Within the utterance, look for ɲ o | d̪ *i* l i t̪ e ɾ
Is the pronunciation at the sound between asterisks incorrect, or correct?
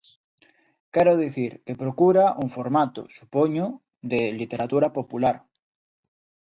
incorrect